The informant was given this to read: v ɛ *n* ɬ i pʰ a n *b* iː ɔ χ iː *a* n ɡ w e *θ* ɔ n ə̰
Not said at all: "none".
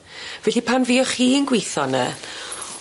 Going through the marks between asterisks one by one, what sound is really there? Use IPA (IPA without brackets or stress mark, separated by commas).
none, v, ə, θ